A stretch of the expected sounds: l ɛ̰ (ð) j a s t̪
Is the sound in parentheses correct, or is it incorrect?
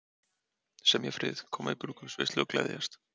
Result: correct